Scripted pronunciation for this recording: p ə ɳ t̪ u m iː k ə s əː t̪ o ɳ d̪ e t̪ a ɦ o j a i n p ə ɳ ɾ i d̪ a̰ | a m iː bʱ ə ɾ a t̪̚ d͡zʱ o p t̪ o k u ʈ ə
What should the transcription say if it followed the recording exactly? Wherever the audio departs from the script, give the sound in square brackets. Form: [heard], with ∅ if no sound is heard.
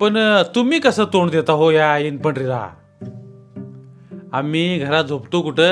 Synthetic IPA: p ə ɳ t̪ u m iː k ə s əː t̪ o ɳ d̪ e t̪ a ɦ o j a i n p ə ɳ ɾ i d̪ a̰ | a m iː [ɡʱ] ə ɾ a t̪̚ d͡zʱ o p t̪ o k u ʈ ə